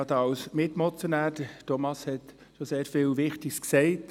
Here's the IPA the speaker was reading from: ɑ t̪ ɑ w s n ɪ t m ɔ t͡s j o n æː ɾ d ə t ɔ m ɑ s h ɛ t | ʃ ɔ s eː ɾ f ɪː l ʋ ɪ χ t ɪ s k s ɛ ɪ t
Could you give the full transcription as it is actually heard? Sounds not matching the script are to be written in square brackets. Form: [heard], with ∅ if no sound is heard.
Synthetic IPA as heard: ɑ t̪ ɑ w s [m] ɪ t m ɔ t͡s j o n æː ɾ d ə t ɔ m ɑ s h ɛ t | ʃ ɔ s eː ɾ f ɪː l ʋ ɪ χ t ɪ s k s ɛ ɪ t

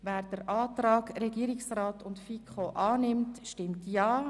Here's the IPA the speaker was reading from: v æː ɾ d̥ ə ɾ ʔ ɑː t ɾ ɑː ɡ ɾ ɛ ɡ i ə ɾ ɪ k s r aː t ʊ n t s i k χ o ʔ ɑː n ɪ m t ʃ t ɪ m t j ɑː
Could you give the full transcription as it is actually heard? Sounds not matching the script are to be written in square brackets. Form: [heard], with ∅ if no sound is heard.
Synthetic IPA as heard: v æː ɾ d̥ ə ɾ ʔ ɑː t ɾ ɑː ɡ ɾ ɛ ɡ i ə ɾ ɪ k s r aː t ʊ n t [f] i k χ o ʔ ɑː n ɪ m t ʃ t ɪ m t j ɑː

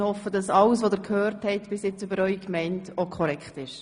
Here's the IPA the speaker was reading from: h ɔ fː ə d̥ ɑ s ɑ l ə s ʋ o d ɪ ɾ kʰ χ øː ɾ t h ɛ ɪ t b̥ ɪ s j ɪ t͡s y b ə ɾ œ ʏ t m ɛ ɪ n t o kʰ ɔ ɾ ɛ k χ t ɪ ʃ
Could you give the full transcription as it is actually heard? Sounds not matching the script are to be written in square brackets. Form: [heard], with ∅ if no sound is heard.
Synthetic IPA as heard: h ɔ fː ə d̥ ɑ s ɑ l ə s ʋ o d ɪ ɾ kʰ [h] øː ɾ t h ɛ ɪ t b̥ ɪ s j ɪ t͡s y b ə ɾ œ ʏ [k] m ɛ ɪ n t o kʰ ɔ ɾ ɛ k χ t ɪ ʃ

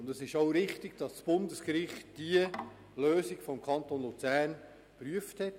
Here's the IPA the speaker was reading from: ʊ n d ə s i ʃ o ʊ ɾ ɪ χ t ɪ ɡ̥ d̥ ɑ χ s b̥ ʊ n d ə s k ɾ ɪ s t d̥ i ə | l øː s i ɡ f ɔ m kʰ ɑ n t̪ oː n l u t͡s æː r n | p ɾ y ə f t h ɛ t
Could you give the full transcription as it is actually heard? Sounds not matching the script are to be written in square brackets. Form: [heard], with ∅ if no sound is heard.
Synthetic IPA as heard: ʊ n d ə s [ɪ] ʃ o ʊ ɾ ɪ χ t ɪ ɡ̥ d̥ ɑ [s] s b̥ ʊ n d ə s k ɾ ɪ [χ] t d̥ i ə | l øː s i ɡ f ɔ m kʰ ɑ n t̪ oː n l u t͡s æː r n | p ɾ y ə f t h ɛ t

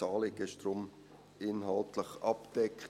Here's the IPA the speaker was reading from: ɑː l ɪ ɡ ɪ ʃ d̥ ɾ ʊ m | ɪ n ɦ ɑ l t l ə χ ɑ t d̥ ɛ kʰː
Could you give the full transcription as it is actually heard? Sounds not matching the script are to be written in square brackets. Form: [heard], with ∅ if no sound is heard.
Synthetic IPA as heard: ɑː l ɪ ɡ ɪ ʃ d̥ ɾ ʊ m | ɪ n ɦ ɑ l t l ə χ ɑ [p] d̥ ɛ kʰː

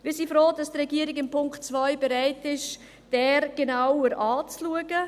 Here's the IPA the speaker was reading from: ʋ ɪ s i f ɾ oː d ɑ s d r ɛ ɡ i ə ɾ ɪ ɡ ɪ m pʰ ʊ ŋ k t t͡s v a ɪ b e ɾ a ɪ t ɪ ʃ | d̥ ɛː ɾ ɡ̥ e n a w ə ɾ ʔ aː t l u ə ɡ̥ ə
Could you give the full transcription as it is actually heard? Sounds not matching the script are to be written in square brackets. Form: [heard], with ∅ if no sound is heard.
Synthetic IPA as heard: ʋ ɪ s i f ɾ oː d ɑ s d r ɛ ɡ i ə ɾ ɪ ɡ ɪ m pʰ ʊ ŋ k t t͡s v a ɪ b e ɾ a ɪ t ɪ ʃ | d̥ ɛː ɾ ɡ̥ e n a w ə ɾ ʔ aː [t͡s] l u ə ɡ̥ ə

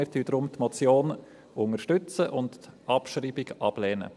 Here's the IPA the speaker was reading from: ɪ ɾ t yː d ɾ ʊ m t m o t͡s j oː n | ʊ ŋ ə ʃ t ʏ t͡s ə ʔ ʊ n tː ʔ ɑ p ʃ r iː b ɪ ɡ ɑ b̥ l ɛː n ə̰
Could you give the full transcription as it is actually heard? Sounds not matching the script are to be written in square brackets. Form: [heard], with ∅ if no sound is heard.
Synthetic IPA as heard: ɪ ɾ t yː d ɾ ʊ m t m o t͡s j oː n | ʊ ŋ ə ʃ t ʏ t͡s ə ʔ ʊ n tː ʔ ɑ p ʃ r iː b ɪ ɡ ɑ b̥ l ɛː n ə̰

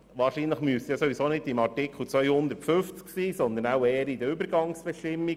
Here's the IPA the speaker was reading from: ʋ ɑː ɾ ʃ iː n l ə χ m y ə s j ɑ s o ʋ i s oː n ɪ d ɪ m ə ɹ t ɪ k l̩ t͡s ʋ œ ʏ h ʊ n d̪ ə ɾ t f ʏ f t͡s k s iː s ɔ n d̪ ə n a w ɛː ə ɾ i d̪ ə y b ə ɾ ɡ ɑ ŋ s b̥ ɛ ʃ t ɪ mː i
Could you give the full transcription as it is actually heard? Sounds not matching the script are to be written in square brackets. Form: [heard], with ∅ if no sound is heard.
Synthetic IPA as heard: ʋ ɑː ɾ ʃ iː n l ə χ m y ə s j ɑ s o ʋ i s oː n ɪ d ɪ m [ɑ] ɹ t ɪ k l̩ t͡s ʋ œ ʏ h ʊ n d̪ ə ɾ t f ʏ f t͡s k s iː s ɔ n d̪ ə n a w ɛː ə ɾ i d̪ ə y b ə ɾ ɡ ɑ ŋ s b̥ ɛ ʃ t ɪ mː i

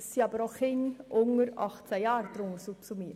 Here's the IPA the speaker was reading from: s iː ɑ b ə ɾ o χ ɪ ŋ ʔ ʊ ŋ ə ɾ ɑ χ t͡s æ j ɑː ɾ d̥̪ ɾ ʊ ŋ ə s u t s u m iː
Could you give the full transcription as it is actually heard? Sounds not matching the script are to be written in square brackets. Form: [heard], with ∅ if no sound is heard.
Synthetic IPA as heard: s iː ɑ b ə ɾ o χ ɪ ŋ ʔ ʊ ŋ ə ɾ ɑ χ t͡s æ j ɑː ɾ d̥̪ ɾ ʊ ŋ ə s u [p] s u m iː

